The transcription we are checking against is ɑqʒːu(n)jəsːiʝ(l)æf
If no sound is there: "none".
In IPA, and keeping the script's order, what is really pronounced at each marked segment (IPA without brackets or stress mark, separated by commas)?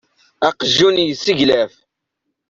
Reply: n, l